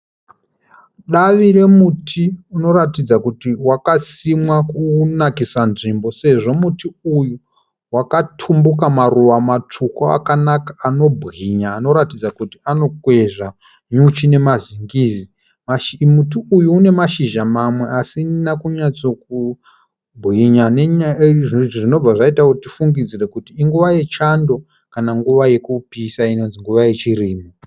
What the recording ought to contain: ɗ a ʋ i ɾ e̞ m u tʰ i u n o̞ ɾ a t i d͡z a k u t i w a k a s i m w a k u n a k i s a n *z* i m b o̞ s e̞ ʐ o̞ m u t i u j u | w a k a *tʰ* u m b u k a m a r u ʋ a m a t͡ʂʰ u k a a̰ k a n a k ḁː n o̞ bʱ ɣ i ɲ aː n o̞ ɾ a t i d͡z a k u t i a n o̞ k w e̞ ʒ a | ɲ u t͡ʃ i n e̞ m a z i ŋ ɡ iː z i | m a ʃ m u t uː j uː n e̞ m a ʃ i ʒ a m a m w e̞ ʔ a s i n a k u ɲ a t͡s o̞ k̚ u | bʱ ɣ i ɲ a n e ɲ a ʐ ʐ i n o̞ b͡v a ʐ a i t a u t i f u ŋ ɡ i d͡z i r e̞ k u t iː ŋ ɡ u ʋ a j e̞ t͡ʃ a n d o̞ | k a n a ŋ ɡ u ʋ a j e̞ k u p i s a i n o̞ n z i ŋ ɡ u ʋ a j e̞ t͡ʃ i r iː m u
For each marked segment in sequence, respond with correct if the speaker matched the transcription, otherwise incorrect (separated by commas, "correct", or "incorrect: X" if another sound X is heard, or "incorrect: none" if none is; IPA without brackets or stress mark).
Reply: incorrect: ʐ, correct